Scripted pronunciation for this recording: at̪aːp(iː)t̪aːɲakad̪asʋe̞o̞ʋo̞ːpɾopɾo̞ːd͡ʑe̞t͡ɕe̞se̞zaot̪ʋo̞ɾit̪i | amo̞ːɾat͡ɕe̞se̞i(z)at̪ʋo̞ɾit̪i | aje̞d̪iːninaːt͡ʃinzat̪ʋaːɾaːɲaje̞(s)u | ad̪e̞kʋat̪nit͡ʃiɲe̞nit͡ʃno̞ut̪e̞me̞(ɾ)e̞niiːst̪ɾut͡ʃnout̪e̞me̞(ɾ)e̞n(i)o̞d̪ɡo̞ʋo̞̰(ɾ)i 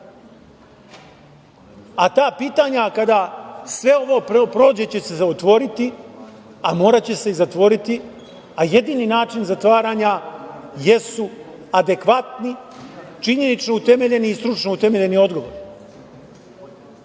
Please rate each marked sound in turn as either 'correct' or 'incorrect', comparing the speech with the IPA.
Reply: correct, correct, correct, incorrect: ʎ, incorrect: ʎ, correct, correct

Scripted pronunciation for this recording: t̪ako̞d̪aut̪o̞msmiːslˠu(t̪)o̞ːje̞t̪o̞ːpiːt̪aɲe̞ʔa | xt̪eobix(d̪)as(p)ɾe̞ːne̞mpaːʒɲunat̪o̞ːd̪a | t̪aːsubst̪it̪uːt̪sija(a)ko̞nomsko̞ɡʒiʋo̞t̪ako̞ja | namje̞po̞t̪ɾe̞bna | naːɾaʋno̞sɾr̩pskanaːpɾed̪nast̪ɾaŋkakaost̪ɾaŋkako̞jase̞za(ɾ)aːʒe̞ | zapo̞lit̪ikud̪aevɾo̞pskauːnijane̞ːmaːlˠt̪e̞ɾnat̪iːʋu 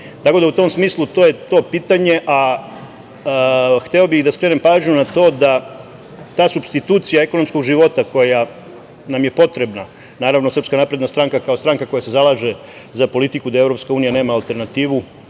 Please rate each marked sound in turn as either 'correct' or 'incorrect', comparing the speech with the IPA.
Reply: correct, correct, incorrect: k, incorrect: e, incorrect: l

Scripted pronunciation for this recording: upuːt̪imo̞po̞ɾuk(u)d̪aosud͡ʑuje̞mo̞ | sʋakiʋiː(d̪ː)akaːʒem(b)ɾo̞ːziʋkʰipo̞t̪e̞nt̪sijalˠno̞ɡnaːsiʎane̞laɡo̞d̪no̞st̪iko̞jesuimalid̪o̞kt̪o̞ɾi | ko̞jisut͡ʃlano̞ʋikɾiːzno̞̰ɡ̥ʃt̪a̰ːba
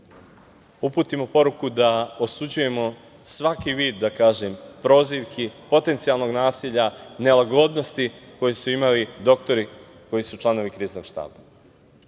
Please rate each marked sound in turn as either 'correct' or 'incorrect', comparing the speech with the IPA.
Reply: correct, correct, incorrect: p

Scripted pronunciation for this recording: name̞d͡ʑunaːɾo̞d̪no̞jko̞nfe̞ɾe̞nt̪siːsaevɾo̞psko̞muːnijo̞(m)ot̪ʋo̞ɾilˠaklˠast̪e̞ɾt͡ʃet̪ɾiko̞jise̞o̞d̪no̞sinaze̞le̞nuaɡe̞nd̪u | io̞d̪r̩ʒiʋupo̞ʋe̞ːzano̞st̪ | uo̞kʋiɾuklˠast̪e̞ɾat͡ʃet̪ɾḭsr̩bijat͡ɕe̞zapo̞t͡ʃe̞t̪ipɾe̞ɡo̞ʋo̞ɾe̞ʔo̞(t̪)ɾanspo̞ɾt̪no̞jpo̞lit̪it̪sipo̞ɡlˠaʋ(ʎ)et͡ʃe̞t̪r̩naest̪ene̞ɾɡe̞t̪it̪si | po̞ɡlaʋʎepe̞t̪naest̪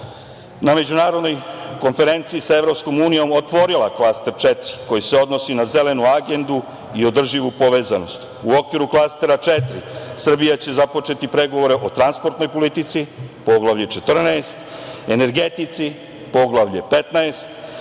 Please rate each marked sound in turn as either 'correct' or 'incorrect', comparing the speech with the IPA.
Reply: correct, correct, correct

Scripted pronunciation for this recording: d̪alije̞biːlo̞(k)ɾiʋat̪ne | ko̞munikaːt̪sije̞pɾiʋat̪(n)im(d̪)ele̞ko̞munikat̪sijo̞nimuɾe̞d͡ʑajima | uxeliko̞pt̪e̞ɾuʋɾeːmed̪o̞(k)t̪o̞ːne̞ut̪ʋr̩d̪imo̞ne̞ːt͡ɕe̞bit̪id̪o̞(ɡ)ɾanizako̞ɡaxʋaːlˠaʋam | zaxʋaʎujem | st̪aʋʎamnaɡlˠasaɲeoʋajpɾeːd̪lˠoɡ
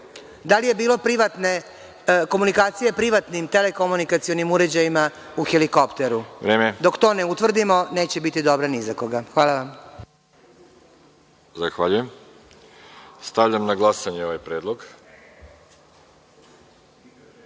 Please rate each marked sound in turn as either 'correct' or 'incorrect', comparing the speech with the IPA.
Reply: incorrect: p, correct, incorrect: t̪, correct, incorrect: b

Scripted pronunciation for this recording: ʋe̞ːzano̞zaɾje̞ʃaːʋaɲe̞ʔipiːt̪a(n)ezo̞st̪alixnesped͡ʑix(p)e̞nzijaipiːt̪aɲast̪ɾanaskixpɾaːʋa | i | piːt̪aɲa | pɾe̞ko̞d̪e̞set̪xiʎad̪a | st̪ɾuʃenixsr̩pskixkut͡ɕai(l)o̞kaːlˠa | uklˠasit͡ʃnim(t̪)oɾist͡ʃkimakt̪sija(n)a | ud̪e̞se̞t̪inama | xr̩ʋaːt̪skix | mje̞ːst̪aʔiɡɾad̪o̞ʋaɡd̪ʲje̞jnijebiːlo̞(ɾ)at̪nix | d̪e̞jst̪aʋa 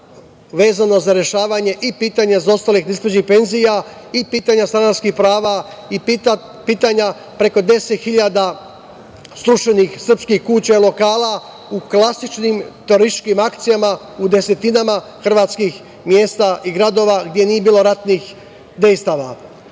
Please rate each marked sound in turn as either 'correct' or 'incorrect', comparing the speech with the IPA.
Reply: incorrect: ɲ, correct, correct, correct, incorrect: m, correct

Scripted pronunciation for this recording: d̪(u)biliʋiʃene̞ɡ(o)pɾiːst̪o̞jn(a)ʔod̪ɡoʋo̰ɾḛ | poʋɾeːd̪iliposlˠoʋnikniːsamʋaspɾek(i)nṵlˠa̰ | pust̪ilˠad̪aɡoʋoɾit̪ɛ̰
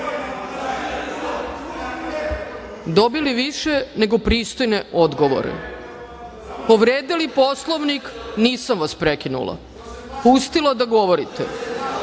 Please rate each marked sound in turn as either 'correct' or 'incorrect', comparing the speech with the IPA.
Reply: incorrect: o, correct, incorrect: e, correct

